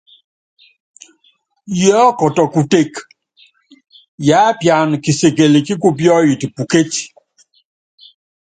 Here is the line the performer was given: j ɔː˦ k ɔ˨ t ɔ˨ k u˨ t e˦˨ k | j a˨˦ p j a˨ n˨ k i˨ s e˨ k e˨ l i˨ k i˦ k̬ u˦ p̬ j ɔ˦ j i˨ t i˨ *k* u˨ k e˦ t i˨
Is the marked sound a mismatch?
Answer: yes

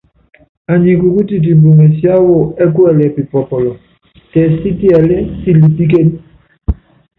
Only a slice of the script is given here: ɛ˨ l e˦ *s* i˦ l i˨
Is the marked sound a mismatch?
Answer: no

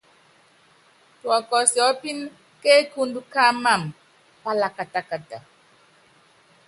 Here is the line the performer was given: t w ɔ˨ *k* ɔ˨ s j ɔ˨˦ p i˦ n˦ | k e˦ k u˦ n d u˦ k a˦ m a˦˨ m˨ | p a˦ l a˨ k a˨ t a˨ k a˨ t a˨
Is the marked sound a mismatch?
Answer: no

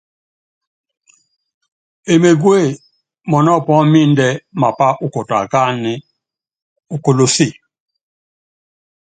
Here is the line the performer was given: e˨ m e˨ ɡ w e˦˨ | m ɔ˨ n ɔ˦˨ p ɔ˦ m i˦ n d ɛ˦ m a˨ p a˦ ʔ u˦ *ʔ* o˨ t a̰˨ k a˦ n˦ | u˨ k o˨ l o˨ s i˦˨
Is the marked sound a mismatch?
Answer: yes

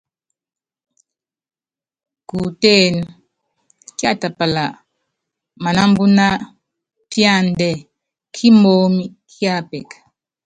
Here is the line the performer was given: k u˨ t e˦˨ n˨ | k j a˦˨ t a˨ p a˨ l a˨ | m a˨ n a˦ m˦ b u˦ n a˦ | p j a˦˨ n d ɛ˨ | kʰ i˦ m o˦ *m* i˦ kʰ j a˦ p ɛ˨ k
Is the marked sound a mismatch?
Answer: no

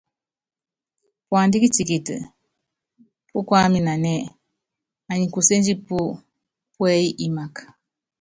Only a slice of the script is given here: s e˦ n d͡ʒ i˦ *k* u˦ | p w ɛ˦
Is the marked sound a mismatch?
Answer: yes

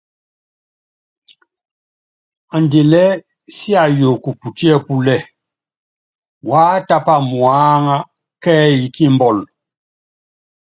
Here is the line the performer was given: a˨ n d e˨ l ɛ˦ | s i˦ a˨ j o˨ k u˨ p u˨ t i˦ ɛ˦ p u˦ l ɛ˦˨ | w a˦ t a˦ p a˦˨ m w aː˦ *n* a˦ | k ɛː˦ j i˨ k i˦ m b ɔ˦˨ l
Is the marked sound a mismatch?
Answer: yes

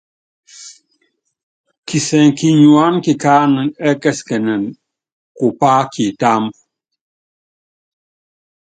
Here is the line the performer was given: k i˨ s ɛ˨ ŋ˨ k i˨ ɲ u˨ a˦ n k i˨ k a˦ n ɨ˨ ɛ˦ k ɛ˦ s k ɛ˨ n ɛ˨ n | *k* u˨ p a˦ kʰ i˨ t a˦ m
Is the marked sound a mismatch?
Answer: no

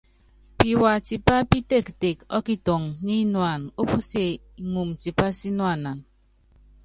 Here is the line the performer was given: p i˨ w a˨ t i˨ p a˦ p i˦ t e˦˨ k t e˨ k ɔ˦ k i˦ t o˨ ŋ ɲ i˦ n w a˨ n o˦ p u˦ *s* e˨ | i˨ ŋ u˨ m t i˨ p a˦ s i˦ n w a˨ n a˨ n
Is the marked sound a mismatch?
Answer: no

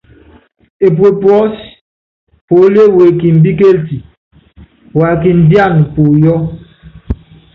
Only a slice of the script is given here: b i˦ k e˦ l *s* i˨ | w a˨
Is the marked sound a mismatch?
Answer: yes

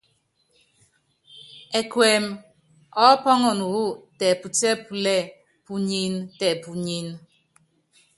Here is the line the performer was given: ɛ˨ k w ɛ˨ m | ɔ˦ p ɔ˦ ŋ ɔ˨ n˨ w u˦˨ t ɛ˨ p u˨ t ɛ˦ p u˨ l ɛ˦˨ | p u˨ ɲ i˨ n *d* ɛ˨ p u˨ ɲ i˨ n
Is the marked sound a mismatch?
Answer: yes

